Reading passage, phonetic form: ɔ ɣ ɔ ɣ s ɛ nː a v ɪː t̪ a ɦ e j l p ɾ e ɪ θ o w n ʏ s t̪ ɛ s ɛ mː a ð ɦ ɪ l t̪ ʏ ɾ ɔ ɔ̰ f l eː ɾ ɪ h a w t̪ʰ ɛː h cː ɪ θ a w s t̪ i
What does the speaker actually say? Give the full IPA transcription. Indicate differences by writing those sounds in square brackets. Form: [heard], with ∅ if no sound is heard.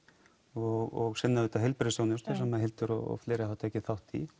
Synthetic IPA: ɔ ɣ ɔ ɣ s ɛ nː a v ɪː t̪ a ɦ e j l p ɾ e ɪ [s] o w n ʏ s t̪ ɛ s ɛ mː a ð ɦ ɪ l t̪ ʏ ɾ ɔ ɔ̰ f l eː ɾ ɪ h a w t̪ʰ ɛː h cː ɪ θ a w [h] t̪ i